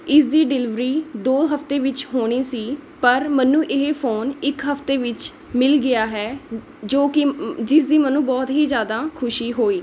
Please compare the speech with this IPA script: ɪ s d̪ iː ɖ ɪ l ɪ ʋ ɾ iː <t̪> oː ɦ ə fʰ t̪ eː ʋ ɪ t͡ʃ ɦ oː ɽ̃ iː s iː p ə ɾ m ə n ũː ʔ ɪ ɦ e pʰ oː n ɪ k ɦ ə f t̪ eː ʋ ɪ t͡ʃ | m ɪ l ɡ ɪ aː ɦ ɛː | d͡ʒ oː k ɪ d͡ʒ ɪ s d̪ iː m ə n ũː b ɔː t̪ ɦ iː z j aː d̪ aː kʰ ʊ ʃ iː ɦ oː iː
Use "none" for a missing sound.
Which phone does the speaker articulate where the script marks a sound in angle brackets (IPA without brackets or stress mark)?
d̪